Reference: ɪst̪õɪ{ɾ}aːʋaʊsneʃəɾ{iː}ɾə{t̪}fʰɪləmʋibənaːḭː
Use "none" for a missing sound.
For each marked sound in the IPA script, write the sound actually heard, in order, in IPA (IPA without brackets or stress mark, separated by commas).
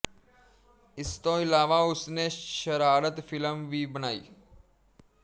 l, aː, t̪